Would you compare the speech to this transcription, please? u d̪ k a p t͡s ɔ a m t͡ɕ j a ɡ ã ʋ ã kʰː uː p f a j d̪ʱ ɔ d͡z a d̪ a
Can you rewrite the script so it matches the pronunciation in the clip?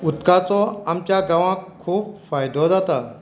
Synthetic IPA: u t̪ k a t͡s ɔ a m t͡ɕ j a ɡ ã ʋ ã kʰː uː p f a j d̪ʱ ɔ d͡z a t̪ a